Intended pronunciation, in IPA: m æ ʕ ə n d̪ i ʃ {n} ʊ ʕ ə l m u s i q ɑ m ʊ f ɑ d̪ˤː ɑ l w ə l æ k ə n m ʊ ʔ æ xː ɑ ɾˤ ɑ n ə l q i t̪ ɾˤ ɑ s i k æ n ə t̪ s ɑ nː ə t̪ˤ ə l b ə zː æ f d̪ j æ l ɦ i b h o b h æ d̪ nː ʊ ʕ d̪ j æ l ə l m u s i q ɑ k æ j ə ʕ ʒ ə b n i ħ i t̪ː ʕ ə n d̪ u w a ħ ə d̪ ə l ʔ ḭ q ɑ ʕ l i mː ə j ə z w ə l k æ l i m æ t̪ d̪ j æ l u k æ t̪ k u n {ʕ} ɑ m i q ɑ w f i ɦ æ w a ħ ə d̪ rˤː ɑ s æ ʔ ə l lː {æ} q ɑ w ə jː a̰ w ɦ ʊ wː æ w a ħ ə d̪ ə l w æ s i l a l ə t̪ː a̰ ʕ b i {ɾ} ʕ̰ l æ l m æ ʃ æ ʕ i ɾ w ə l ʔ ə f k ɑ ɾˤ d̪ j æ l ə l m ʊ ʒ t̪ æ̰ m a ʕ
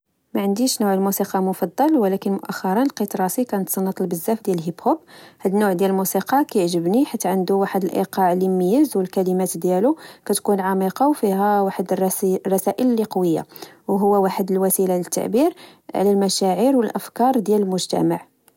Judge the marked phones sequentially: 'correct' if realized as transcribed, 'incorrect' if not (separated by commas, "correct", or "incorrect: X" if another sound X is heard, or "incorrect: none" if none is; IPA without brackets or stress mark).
correct, correct, incorrect: i, correct